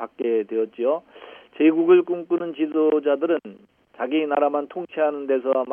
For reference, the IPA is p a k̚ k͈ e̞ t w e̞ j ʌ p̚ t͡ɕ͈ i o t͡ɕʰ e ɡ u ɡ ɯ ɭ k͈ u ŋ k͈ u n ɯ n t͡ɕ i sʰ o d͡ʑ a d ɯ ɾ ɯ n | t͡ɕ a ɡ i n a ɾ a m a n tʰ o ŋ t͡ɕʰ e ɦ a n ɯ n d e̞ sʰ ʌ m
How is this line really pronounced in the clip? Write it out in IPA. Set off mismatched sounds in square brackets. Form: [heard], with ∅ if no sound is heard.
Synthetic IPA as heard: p a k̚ k͈ e̞ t w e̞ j ʌ [t̚] t͡ɕ͈ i o [t͡ɕ] e ɡ u ɡ ɯ ɭ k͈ u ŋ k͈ u n ɯ n t͡ɕ i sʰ o d͡ʑ a d ɯ ɾ ɯ n | t͡ɕ a ɡ i n a ɾ a m a n tʰ o ŋ t͡ɕʰ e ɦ a n ɯ n d e̞ sʰ ʌ m